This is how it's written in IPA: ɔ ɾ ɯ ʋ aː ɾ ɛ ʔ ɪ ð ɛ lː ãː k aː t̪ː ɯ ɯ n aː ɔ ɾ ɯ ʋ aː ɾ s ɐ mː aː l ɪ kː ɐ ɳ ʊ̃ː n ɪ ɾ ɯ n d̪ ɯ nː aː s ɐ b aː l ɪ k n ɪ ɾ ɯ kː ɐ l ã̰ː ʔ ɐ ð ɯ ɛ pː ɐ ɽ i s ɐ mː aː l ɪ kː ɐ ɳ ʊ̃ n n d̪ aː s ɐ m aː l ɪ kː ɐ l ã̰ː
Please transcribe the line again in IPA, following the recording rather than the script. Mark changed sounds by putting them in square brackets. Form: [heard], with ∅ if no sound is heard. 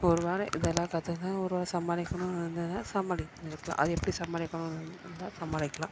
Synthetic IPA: ɔ ɾ ɯ ʋ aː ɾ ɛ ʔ ɪ ð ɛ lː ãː k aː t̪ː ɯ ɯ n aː ɔ ɾ ɯ ʋ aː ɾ s ɐ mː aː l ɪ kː ɐ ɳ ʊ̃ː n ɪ ɾ ɯ n d̪ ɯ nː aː s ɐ [m] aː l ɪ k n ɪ ɾ ɯ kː ɐ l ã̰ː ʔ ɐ ð ɯ ɛ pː ɐ ɽ i s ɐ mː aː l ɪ kː ɐ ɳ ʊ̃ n n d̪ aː s ɐ m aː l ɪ kː ɐ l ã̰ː